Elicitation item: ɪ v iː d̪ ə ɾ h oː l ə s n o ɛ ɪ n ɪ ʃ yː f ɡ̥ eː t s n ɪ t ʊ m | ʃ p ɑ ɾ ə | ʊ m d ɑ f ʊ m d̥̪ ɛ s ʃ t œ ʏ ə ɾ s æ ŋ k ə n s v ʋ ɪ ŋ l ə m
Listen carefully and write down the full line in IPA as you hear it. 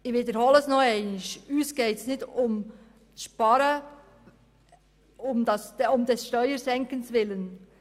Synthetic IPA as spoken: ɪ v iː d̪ ə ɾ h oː l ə s n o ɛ ɪ n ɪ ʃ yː s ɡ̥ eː t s n ɪ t ʊ m | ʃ p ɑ ɾ ə | ʊ m d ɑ s ʊ m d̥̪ ɛ s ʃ t œ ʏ ə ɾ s ɛ ŋ k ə n s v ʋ ɪ l ə n